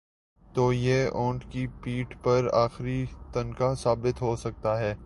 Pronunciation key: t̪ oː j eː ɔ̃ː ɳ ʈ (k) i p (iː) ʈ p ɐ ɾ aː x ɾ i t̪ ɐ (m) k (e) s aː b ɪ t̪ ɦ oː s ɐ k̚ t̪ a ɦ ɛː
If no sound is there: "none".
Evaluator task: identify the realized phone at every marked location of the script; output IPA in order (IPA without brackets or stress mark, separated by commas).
k, iː, n, a